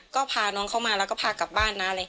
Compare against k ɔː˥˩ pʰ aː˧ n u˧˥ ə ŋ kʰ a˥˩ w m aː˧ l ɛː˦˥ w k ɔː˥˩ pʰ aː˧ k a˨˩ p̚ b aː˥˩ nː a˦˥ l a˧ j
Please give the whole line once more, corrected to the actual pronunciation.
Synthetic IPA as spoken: k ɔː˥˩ pʰ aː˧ n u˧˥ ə ŋ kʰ a˥˩ w m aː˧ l ɛ˦˥ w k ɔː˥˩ pʰ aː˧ k a˨˩ p̚ b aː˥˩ nː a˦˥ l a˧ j